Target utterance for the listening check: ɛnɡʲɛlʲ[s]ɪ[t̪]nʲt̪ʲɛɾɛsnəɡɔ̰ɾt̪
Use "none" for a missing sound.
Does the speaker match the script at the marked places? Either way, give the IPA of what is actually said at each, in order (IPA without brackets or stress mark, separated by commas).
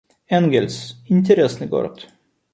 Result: s, none